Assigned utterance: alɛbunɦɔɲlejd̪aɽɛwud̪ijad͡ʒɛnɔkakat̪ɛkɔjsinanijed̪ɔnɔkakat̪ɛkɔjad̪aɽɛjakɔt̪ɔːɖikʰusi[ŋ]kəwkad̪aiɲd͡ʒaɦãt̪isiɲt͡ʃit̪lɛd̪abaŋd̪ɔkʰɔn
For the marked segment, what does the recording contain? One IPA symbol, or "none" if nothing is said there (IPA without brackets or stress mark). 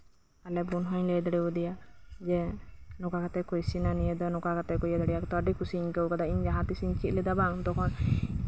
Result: ɲ